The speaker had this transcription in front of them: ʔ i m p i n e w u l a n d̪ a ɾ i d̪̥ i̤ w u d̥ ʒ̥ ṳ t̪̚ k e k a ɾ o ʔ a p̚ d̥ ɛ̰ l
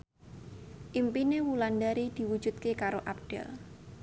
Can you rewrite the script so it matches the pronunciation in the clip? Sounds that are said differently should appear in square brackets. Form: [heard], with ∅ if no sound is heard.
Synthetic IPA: ʔ i m p i n e w u l a n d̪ a ɾ i d̪̥ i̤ w u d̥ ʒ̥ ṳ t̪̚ k e k a ɾ o ʔ a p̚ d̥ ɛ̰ l